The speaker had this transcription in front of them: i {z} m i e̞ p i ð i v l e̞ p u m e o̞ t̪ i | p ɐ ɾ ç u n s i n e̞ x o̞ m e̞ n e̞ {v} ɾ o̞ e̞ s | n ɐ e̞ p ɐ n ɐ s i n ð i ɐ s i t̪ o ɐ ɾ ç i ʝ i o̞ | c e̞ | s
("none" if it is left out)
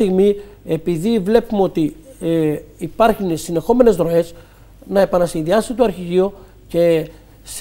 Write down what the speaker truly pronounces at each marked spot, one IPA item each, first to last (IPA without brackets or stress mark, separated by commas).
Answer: ɣ, z